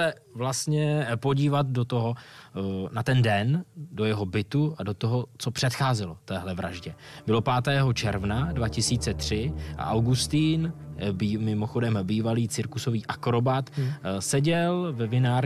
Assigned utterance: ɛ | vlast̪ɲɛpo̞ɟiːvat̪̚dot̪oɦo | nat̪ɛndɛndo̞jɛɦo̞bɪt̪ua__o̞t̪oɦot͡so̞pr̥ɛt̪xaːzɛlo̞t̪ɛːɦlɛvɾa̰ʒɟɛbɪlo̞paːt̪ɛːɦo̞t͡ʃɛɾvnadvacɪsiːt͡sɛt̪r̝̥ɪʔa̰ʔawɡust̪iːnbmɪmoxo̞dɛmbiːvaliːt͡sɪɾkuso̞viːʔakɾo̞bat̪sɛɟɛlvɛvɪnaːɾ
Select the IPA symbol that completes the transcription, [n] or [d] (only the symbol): d